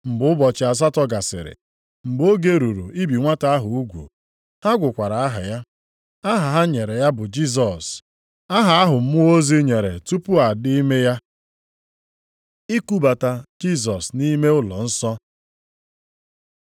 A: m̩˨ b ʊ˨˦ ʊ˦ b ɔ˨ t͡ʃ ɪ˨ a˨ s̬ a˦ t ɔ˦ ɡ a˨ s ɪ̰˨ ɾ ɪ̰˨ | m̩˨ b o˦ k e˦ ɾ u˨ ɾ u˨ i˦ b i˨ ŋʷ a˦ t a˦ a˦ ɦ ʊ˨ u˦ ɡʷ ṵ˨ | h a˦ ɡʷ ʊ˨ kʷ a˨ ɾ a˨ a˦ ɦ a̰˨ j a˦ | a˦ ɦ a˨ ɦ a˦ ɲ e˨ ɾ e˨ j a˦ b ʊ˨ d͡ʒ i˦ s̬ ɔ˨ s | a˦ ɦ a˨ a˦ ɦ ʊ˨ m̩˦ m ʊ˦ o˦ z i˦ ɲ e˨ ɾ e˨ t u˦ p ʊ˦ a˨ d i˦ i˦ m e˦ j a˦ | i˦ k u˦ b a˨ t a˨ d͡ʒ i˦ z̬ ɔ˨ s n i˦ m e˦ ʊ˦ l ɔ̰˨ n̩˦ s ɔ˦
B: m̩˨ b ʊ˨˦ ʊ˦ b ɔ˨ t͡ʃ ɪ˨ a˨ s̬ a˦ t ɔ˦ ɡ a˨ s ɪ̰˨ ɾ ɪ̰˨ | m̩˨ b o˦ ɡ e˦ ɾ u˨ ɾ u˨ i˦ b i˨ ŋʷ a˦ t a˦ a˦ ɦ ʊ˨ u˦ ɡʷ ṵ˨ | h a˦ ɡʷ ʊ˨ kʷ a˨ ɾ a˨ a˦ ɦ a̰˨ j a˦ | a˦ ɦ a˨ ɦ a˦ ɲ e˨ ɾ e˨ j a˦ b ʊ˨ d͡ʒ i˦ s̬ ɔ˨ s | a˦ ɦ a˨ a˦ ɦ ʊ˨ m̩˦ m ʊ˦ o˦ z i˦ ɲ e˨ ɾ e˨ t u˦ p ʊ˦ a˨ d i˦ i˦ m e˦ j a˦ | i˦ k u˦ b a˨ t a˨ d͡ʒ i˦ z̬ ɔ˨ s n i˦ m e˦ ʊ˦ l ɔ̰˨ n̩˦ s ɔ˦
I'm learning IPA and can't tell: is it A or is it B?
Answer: B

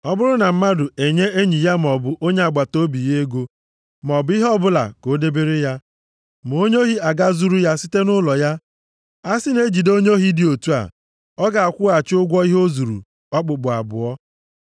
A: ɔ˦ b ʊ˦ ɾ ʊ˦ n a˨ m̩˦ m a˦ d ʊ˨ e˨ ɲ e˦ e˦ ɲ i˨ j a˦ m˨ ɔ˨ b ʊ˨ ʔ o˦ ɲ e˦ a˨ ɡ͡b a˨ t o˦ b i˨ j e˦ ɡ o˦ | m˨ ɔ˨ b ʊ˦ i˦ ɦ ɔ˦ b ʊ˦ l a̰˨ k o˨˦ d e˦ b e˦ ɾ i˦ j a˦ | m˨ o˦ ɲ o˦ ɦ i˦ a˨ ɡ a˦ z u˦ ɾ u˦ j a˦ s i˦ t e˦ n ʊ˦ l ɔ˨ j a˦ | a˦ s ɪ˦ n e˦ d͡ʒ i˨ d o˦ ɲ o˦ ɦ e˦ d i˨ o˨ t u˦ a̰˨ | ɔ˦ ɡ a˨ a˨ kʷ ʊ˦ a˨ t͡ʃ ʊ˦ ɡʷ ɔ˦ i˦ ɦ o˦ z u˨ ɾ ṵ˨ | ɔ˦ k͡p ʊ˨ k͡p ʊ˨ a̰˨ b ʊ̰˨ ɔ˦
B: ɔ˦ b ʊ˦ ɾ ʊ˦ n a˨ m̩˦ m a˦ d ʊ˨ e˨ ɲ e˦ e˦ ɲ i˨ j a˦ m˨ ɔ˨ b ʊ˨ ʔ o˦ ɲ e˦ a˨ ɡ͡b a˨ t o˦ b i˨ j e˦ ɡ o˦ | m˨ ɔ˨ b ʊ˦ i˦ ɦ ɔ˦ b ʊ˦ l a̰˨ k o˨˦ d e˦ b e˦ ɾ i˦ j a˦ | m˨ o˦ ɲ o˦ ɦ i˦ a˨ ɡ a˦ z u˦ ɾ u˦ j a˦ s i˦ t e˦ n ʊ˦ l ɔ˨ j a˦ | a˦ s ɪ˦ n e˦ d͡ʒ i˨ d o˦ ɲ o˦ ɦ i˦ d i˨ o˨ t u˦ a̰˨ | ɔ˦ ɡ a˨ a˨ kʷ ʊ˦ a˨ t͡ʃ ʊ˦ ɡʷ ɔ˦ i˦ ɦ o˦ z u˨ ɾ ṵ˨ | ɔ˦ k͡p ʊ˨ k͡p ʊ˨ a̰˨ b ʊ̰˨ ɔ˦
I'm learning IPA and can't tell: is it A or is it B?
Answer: B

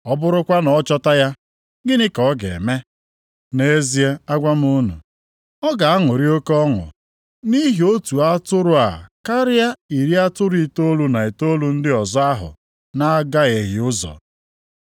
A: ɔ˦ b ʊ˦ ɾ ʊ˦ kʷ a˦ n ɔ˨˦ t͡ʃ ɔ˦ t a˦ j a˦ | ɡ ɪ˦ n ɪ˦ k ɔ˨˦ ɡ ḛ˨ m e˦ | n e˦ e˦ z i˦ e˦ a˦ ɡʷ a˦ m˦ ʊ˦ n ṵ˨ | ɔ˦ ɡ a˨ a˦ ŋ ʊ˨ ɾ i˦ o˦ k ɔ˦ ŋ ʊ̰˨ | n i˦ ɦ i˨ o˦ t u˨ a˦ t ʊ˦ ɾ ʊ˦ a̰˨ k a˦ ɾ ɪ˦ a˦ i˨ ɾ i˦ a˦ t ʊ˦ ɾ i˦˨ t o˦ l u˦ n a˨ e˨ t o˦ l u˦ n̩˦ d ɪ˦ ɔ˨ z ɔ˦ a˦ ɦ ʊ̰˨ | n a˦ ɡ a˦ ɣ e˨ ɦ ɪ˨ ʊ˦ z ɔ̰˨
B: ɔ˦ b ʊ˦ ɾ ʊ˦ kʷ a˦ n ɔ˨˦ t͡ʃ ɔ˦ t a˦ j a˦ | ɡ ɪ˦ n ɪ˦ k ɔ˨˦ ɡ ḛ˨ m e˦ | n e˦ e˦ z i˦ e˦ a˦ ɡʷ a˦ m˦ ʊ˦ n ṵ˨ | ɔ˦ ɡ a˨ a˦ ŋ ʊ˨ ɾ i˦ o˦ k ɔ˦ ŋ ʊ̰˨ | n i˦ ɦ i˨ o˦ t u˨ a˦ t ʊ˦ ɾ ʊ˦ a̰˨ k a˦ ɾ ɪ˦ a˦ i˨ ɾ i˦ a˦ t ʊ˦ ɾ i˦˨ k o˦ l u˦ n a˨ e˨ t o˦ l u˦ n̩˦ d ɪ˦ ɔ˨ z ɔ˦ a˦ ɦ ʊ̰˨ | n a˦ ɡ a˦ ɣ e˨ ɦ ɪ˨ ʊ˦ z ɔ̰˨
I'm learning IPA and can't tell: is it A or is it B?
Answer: A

